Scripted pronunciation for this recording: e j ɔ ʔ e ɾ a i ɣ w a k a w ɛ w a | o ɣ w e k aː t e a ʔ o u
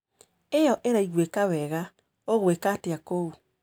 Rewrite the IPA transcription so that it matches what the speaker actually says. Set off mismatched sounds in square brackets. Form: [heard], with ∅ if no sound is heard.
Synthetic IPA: e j ɔ ʔ e ɾ a i ɣ w [e] k a w ɛ [ɣ] a | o ɣ w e k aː t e a [k] o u